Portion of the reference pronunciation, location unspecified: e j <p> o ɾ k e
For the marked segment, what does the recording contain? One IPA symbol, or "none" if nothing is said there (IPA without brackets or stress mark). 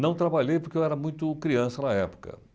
p